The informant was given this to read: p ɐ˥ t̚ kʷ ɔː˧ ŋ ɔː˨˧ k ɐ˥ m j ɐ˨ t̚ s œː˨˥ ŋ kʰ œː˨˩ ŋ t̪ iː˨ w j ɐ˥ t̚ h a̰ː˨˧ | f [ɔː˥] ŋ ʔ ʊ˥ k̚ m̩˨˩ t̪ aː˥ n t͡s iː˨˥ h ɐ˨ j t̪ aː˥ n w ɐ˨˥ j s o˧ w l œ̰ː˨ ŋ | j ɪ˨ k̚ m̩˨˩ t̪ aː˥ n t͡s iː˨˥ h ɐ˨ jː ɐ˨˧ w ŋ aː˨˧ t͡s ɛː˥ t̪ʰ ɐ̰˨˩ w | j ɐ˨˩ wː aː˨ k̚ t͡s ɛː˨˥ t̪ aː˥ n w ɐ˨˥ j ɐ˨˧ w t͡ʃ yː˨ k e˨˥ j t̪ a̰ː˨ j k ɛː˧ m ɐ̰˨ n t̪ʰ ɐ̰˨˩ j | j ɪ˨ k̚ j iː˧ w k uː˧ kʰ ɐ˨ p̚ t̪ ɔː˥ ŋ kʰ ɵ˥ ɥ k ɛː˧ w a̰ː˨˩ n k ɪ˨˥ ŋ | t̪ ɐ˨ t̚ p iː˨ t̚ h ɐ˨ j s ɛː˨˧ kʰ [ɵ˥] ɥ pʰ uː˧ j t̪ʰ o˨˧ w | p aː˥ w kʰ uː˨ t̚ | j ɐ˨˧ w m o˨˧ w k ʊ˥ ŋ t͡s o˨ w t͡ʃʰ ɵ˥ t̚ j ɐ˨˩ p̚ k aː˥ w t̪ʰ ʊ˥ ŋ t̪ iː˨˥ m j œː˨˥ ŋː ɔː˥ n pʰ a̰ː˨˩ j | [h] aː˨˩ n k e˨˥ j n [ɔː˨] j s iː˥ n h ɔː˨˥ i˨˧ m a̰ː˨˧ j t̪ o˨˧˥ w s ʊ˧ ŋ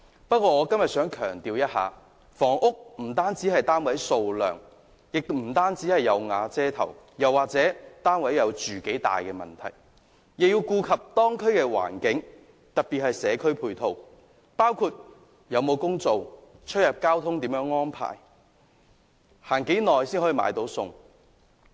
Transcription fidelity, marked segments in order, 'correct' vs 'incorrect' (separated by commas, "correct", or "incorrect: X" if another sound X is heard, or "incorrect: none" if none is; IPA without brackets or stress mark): incorrect: ɔː˨˩, correct, correct, correct